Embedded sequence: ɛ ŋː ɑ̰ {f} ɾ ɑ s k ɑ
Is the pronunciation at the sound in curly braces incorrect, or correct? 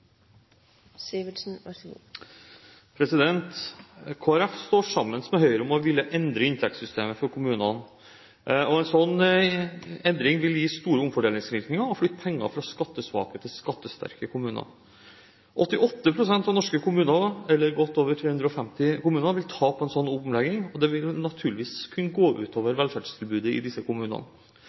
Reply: correct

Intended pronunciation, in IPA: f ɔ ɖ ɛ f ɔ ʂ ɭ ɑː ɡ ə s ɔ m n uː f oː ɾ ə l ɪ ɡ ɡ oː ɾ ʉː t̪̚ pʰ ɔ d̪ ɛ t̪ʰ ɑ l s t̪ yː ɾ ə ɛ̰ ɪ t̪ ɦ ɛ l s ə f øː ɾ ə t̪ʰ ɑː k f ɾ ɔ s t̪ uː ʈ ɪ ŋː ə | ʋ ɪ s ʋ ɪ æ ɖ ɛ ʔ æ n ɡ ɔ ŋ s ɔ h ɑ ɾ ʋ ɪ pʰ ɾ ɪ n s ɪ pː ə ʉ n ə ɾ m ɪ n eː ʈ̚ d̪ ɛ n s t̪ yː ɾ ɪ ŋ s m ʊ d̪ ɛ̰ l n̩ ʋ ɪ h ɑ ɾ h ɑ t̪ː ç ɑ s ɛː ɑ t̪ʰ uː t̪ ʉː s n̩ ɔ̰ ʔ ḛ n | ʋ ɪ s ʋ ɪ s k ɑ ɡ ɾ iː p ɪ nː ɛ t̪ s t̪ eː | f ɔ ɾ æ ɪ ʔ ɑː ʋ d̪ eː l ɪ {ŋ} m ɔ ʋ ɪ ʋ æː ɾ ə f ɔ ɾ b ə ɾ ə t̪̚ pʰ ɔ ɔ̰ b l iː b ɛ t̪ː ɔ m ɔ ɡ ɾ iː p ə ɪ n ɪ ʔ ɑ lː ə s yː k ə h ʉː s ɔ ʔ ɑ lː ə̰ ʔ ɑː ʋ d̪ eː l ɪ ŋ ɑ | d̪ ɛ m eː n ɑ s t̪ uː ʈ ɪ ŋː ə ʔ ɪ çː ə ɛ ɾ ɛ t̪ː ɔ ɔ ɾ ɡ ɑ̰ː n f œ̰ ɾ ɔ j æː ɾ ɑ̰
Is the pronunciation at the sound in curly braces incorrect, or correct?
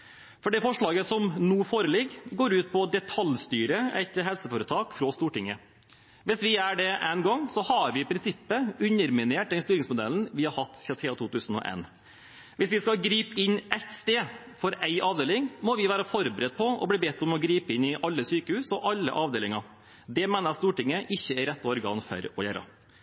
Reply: correct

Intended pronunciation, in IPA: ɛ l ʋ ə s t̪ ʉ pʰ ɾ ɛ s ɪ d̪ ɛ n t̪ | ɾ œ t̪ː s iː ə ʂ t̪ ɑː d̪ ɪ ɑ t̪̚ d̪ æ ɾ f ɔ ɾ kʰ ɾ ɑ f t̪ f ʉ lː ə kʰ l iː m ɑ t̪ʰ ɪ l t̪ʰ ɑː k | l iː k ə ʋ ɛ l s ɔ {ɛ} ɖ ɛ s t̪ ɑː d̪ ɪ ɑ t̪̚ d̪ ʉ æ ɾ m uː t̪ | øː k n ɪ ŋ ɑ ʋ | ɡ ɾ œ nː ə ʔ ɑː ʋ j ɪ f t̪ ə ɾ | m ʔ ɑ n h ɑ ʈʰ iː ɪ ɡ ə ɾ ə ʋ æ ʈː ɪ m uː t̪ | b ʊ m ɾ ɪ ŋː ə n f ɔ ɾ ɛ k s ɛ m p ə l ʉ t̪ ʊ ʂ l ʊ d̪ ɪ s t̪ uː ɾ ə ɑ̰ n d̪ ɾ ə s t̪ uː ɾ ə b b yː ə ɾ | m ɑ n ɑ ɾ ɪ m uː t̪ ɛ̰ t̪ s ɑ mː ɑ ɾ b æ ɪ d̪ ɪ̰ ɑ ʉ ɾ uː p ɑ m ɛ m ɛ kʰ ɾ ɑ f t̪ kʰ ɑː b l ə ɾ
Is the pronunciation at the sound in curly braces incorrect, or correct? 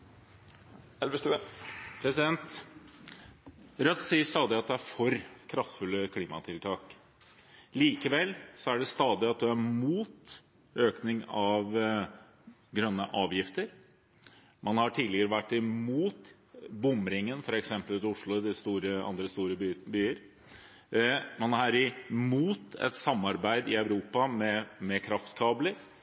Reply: incorrect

